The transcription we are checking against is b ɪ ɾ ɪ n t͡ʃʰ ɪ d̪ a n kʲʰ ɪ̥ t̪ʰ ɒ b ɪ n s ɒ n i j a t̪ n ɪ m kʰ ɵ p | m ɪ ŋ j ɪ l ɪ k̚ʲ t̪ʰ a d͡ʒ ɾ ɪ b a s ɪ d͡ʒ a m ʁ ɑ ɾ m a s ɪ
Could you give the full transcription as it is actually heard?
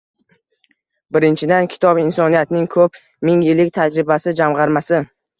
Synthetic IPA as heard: b ɪ ɾ ɪ n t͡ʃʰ ɪ d̪ a n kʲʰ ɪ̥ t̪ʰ ɒ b ɪ n s ɒ n i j a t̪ n ɪ ŋ kʰ ɵ p | m ɪ ŋ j ɪ l ɪ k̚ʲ t̪ʰ a d͡ʒ ɾ ɪ b a s ɪ d͡ʒ a m ʁ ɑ ɾ m a s ɪ